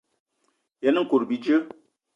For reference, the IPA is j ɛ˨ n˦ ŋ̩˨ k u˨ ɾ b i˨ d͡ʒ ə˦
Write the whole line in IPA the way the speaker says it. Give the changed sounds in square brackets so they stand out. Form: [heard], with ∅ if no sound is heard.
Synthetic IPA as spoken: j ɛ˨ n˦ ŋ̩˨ k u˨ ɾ b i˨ d͡ʒ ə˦